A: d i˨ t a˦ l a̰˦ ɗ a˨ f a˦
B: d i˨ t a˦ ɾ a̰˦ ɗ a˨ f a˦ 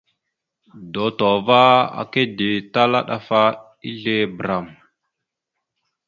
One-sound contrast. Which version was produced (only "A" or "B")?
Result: A